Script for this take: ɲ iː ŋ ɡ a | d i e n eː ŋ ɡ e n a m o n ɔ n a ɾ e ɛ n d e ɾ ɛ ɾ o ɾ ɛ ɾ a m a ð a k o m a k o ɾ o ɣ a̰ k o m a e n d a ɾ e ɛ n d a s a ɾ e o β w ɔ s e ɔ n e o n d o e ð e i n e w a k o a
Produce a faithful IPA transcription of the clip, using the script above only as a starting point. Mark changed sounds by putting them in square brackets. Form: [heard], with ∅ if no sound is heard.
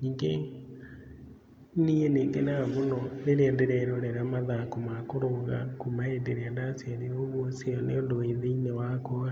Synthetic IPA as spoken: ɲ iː ŋ ɡ [e] | [n] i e n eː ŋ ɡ e n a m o n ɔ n [e] ɾ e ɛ n d e ɾ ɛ ɾ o ɾ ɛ ɾ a m a ð a k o m a k o ɾ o ɣ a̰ k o m a e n d [e] ɾ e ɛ n d a s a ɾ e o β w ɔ s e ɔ n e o n d o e ð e i n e w a k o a